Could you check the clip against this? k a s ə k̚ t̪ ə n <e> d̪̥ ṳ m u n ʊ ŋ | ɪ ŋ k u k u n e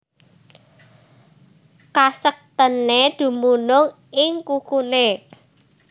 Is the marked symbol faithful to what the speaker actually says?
yes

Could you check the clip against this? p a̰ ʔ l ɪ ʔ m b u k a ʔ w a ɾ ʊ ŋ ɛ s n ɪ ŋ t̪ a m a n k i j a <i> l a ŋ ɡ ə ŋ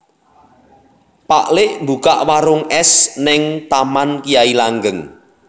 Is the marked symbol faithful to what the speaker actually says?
yes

